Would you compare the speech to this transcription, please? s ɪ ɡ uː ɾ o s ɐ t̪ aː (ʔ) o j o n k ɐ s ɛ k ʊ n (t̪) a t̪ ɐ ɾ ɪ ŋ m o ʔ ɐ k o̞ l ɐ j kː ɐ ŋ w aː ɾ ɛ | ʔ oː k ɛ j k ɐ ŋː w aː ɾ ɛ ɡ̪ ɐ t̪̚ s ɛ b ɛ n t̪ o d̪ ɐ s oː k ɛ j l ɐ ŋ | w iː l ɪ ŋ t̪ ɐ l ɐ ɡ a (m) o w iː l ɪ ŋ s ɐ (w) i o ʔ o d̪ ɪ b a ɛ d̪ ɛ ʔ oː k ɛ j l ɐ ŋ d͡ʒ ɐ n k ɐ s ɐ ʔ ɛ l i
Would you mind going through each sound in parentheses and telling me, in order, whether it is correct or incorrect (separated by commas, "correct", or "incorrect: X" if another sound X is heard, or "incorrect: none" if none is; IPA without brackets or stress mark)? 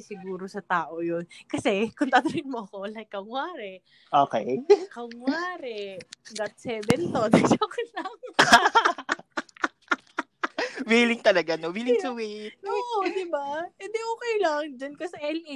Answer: correct, correct, incorrect: n, correct